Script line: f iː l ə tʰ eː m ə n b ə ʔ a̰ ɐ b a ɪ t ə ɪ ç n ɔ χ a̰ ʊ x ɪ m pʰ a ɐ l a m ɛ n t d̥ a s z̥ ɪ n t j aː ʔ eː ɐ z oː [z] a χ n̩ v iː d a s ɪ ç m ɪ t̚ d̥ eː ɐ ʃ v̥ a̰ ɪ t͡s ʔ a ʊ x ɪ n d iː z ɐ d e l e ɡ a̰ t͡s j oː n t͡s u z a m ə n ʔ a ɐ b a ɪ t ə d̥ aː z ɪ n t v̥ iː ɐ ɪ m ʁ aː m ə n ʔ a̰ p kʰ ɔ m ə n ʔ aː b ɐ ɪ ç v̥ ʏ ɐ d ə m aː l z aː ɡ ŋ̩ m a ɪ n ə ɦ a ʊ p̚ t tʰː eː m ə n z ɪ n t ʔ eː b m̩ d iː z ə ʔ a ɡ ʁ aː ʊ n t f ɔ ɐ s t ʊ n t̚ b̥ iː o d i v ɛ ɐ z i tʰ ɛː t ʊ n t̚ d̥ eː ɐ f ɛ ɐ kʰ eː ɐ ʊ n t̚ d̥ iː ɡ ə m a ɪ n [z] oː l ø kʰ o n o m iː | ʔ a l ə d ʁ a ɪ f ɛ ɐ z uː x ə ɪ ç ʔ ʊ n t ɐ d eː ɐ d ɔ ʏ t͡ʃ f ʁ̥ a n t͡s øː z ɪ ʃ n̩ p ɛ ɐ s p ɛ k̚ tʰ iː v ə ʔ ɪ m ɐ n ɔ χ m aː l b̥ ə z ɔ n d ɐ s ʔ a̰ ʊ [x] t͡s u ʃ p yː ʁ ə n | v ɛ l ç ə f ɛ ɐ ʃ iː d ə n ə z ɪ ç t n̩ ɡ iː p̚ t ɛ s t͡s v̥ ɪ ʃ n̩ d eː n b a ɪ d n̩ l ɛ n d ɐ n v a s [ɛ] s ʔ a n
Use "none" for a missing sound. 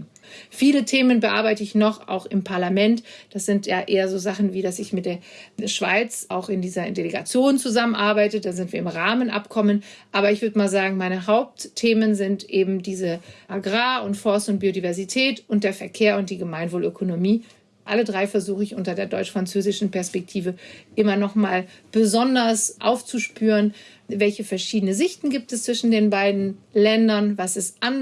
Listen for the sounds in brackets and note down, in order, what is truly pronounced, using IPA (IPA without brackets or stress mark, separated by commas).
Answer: z, v, f, ɛ